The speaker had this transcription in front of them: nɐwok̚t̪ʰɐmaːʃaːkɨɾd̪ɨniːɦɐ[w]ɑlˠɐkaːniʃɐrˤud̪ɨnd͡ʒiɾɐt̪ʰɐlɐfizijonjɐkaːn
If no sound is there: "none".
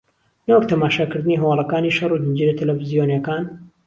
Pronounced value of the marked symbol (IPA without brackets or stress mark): w